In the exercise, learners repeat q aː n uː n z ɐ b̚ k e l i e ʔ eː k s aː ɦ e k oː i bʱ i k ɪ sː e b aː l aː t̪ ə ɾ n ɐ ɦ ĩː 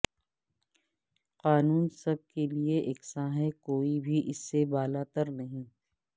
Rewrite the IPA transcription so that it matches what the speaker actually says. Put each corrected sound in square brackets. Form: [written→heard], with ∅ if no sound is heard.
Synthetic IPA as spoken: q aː n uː n [z→s] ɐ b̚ k e l i e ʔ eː k s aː ɦ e k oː i bʱ i [k→ʔ] ɪ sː e b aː l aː t̪ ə ɾ n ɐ ɦ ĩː